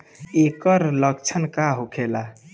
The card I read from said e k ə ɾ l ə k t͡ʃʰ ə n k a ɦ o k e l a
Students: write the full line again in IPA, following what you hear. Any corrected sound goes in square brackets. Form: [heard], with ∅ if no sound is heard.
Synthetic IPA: e k ə ɾ l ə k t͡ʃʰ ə n k a ɦ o [kʰ] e l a